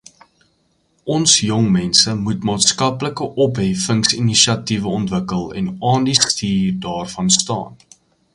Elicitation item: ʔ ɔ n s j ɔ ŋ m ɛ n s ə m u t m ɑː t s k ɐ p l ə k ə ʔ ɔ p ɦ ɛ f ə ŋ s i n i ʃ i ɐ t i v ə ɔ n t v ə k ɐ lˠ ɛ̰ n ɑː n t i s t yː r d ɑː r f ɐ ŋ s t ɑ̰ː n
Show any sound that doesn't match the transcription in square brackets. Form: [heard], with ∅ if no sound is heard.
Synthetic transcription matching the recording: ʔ ɔ n s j ɔ ŋ m ɛ n s ə m u t m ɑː t s k ɐ p l ə k ə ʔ ɔ p ɦ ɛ f ə ŋ s i n i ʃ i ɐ t i v ə ɔ n t v ə k [ə] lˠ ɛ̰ n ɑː n [d] i s t [iː] r d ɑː r f ɐ [n] s t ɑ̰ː n